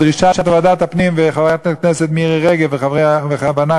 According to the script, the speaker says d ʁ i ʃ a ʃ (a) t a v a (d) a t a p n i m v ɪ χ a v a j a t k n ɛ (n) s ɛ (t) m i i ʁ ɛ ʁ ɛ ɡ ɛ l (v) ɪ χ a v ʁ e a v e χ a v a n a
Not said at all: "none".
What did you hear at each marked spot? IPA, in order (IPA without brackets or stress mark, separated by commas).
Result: a, d, none, t, v